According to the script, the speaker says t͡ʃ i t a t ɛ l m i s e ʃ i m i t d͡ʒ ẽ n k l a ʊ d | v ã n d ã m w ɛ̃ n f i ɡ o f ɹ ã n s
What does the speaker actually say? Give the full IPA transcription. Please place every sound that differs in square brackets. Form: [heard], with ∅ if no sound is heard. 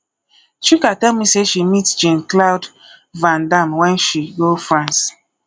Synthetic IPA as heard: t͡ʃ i [k] a t ɛ l m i s e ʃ i m i t d͡ʒ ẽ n k l a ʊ d | v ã n d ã m w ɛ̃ n [ʃ] i ɡ o f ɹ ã n s

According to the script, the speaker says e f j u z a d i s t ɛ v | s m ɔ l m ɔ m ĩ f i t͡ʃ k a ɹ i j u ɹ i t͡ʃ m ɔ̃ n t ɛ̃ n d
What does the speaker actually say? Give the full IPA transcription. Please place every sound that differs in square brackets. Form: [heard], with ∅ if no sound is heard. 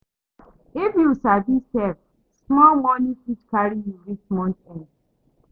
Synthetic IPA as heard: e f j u [s] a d i s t ɛ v | s m ɔ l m ɔ [n] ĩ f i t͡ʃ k a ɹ i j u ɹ i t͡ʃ m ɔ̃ n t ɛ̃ n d

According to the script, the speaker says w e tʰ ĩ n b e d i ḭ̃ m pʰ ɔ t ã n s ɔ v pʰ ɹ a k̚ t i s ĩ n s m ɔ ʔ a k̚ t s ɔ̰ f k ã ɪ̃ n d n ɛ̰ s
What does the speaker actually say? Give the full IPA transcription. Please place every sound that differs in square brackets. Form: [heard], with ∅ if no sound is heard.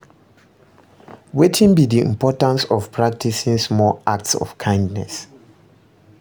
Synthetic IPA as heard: w e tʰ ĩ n b [i] d i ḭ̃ m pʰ ɔ t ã n s ɔ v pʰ ɹ a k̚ t i s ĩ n s m ɔ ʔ a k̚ t s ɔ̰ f [kʰ] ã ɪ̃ n d n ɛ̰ s

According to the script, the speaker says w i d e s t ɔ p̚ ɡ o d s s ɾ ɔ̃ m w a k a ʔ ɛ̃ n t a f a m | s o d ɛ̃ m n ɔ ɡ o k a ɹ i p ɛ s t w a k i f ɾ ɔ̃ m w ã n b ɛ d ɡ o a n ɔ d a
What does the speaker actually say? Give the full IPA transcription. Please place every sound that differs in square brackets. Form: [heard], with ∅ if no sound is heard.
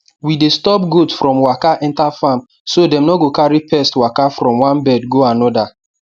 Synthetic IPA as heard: w i d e s t ɔ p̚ ɡ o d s [f] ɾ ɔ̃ m w a k a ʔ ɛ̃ n t a f a m | s o d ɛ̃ m n ɔ ɡ o k a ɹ i p ɛ s t w a k [a] f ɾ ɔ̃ m w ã n b ɛ d ɡ o a n ɔ d a

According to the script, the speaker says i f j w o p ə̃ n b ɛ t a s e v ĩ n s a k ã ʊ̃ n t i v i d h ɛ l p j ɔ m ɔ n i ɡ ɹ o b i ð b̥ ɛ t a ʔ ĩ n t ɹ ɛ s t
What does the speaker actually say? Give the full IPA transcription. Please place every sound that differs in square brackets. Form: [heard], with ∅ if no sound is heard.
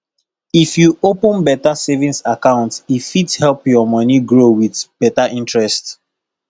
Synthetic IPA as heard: i f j [u] o p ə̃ n b ɛ t a s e v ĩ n s a k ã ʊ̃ n t i [f] i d h ɛ l p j ɔ m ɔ n i ɡ ɹ o [w] i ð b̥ ɛ t a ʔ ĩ n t ɹ ɛ s t

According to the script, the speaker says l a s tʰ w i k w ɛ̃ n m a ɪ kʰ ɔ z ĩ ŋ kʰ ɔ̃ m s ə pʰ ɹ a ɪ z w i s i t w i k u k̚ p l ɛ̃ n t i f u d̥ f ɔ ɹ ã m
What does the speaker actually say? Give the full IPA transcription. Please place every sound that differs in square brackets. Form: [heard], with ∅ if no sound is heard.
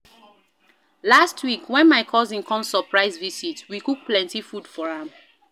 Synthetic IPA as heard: l a s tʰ w i k w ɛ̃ n m a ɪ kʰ ɔ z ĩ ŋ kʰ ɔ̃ m s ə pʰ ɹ a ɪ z [v] i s i t w i k u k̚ p l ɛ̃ n t i f u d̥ f ɔ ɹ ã m

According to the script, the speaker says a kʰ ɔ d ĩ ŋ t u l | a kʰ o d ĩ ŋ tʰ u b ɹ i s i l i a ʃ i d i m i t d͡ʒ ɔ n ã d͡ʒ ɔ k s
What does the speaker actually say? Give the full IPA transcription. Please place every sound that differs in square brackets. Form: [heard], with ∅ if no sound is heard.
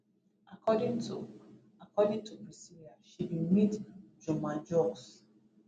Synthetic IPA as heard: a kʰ ɔ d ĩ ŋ t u [∅] | a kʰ [ɔ] d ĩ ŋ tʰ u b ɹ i s i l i a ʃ i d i m i t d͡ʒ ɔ [m] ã d͡ʒ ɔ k s

